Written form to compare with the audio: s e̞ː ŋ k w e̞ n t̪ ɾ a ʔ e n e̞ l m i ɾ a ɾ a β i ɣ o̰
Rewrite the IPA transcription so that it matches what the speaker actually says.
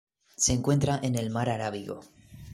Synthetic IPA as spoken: s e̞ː ŋ k w e̞ n t̪ ɾ a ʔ e n e̞ l m a ɾ a ɾ a β i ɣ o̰